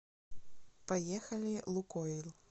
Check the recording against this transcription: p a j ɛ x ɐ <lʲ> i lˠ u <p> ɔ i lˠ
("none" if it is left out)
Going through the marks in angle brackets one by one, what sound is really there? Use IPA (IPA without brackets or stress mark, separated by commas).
lʲ, k